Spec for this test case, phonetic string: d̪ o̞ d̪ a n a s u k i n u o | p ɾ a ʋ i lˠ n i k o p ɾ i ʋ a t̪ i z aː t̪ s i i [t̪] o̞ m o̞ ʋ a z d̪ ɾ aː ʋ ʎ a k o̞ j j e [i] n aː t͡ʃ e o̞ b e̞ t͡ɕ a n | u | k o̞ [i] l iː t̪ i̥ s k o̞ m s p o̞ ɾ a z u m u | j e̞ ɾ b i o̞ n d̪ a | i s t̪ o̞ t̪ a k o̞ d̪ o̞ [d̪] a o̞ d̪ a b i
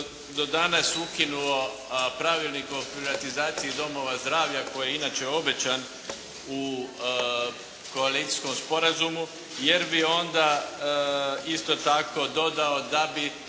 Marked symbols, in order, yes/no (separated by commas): no, yes, no, yes